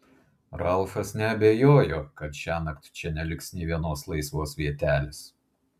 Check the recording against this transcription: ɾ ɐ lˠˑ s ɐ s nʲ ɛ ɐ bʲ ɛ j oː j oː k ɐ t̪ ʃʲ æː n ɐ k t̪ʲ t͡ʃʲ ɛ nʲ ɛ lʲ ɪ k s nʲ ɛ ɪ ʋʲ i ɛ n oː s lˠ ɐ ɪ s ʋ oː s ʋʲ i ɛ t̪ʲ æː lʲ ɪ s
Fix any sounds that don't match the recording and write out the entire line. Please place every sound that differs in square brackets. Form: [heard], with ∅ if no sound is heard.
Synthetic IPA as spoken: ɾ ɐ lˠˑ [f] ɐ s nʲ ɛ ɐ bʲ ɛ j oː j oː k ɐ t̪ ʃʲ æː n ɐ k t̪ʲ t͡ʃʲ ɛ nʲ ɛ lʲ ɪ k s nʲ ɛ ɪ ʋʲ i ɛ n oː s lˠ ɐ ɪ s ʋ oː s ʋʲ i ɛ t̪ʲ æː lʲ ɪ s